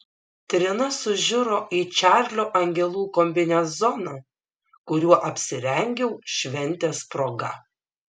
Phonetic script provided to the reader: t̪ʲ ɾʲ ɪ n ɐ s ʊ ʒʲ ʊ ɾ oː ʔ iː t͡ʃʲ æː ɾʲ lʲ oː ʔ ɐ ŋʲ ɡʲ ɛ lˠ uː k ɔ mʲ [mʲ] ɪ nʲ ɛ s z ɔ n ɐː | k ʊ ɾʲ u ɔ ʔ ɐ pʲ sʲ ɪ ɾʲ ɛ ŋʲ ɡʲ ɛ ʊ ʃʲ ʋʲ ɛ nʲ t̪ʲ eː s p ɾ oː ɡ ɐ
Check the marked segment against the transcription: incorrect: bʲ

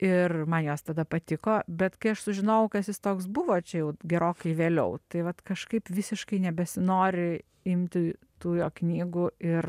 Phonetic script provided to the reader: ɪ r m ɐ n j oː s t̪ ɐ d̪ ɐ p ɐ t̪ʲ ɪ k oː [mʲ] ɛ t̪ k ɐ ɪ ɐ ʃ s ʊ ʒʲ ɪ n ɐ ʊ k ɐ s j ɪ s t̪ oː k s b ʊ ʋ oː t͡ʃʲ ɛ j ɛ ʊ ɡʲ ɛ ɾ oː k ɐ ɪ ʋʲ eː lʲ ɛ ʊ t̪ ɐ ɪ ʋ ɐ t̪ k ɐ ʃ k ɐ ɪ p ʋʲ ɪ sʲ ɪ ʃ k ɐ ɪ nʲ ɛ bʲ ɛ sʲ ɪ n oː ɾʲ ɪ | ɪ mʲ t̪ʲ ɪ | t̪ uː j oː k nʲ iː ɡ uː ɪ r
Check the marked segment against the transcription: incorrect: bʲ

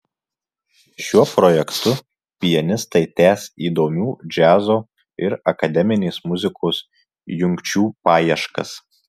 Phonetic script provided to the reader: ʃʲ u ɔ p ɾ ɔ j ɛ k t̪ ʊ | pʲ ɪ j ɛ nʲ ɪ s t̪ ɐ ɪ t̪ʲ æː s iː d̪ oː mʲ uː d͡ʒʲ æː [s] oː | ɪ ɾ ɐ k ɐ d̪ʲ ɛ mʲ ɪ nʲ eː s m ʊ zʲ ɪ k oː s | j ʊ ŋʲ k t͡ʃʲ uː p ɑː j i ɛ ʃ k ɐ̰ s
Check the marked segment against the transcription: incorrect: z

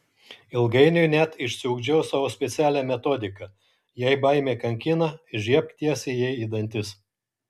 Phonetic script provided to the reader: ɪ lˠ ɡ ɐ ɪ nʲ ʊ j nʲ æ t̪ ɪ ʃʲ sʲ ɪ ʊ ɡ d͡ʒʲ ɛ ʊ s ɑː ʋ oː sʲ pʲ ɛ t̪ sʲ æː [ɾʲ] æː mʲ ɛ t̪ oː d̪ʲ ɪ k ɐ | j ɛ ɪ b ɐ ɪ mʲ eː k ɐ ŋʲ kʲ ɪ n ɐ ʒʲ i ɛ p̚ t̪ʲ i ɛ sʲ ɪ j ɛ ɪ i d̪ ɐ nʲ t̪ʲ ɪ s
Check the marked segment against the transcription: incorrect: lʲ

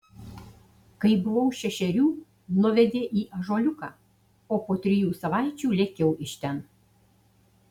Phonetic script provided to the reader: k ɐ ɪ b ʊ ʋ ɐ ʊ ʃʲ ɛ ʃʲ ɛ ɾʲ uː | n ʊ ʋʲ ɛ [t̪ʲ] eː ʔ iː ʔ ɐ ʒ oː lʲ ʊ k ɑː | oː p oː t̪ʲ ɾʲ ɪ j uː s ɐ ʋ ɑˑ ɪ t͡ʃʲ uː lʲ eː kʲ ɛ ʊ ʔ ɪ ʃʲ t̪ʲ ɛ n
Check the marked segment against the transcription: incorrect: d̪ʲ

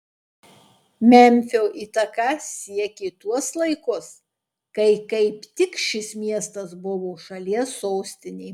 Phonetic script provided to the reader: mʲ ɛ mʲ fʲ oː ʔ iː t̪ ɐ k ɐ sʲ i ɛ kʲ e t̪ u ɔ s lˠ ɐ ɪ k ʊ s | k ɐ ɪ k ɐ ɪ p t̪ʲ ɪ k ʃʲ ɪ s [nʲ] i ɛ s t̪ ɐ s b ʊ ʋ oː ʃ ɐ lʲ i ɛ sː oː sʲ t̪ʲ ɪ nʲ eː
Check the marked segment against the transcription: incorrect: mʲ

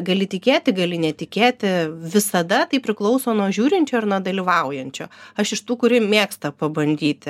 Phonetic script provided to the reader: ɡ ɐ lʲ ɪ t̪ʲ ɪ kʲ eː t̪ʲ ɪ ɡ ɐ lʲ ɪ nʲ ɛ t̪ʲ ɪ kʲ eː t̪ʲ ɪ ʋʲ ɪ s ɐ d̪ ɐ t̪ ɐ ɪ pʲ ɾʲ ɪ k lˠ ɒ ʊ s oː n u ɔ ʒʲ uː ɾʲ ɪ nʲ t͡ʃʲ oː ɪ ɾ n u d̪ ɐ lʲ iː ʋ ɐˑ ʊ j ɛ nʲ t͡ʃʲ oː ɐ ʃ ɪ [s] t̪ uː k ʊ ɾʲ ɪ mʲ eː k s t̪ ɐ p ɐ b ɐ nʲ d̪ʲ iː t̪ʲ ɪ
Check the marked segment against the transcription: incorrect: ʃ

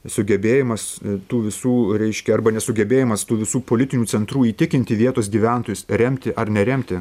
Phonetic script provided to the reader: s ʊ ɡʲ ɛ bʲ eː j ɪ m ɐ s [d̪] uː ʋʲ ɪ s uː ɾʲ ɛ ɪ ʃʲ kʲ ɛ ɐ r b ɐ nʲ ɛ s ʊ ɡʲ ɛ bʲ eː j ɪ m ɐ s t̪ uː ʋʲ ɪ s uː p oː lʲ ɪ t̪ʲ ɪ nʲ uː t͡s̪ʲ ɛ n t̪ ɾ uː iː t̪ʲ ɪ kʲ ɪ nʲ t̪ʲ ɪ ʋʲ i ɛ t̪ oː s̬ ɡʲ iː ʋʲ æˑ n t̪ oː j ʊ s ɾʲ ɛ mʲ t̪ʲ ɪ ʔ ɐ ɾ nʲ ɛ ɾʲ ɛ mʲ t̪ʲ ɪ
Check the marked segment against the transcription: incorrect: t̪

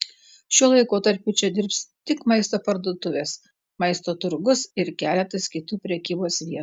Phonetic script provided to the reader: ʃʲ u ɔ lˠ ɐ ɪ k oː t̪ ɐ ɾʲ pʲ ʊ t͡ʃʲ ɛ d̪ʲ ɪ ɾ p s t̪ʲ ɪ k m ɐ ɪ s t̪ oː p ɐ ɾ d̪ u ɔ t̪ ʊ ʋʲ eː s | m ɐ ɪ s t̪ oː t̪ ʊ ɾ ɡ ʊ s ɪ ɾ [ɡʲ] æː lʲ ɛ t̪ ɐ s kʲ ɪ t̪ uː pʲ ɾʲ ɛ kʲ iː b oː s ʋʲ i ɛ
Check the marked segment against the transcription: incorrect: kʲ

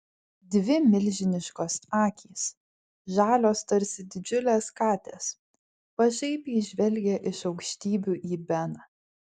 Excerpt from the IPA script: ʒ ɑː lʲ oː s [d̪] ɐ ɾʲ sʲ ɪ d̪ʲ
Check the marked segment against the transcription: incorrect: t̪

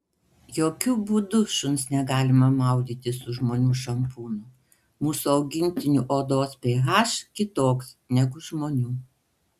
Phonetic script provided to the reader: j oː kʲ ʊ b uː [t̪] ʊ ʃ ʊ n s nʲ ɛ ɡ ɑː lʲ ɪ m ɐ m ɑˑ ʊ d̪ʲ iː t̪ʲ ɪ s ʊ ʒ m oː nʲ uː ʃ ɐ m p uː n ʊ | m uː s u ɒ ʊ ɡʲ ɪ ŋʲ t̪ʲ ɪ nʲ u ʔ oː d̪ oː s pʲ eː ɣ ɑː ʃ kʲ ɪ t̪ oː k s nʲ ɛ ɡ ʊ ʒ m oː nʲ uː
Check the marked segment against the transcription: incorrect: d̪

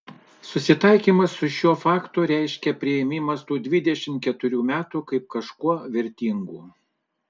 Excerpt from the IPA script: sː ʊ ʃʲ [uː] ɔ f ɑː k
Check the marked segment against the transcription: incorrect: u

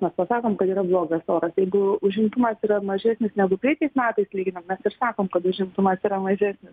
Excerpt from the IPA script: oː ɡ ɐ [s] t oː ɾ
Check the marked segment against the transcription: correct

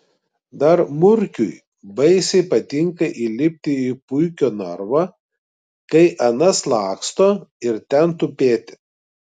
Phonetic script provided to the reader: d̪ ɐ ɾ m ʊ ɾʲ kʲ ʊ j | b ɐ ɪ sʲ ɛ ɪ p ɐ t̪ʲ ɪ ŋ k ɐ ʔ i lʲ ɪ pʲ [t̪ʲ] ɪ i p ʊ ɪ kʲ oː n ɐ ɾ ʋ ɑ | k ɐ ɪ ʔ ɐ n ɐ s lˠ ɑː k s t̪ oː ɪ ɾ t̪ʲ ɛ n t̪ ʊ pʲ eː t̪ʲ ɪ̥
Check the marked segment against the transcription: correct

